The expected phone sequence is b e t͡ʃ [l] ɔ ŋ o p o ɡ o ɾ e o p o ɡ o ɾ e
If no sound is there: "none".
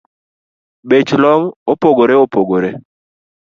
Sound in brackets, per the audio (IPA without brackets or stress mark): l